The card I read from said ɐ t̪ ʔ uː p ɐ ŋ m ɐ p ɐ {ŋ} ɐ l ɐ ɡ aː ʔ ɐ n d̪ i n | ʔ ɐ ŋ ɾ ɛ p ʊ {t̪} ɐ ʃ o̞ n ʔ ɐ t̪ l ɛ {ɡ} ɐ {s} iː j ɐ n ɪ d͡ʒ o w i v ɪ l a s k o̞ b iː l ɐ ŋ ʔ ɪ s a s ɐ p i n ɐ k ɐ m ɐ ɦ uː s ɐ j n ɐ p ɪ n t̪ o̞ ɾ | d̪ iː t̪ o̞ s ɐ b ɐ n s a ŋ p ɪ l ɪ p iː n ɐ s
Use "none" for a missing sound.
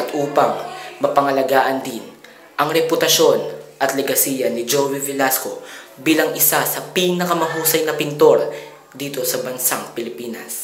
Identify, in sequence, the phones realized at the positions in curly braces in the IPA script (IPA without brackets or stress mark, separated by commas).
ŋ, t̪, ɡ, s